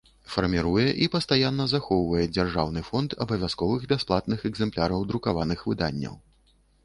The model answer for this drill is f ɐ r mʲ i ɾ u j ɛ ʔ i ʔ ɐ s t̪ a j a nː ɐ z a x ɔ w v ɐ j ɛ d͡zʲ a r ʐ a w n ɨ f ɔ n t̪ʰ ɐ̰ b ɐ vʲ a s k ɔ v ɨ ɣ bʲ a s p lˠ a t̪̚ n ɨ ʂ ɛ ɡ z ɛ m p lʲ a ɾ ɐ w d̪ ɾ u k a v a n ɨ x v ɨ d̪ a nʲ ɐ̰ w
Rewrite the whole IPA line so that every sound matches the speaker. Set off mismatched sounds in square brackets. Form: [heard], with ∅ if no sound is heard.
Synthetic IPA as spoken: f ɐ r mʲ i ɾ u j ɛ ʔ i [p] ɐ s t̪ a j a nː ɐ z a x ɔ w v ɐ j ɛ d͡zʲ a r ʐ a w n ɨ f ɔ n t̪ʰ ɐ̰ b ɐ vʲ a s k ɔ v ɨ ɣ bʲ a s p lˠ a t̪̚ n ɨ [x] ɛ ɡ z ɛ m p lʲ a ɾ ɐ w d̪ ɾ u k a v a n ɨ x v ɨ d̪ a [nʲː] ɐ̰ w